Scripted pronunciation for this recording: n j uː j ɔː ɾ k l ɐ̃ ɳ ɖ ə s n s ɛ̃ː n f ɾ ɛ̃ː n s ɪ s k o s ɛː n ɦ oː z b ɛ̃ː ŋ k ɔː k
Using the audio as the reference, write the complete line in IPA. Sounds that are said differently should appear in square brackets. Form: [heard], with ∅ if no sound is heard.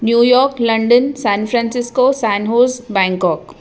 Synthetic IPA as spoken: n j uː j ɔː ɾ k l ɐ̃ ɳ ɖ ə [∅] n s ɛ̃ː n f ɾ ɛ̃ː n s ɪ s k o s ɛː n ɦ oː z b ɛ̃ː ŋ k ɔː k